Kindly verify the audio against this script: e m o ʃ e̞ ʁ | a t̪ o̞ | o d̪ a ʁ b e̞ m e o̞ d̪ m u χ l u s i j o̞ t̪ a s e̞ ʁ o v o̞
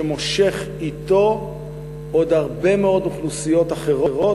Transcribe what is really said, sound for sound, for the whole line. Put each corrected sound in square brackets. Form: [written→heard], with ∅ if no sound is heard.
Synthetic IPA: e m o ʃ e̞ [ʁ→χ] | [a→i] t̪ o̞ | o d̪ a ʁ b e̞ m e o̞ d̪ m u χ l u s i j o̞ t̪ a [s→χ] e̞ ʁ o [v→ʁ] o̞